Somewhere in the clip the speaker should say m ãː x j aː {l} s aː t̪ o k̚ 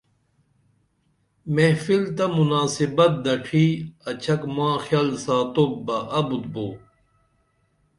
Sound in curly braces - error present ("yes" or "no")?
no